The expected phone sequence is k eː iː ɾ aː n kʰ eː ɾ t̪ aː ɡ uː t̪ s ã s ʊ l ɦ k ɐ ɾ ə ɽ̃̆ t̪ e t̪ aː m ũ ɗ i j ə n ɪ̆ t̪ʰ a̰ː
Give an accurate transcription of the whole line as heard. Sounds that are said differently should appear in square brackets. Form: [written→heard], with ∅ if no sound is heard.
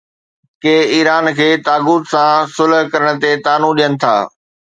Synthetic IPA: k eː iː ɾ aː n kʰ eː [ɾ→∅] t̪ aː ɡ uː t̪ s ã s ʊ l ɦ k ɐ ɾ ə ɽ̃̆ t̪ e t̪ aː [m→n] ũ ɗ i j ə n ɪ̆ t̪ʰ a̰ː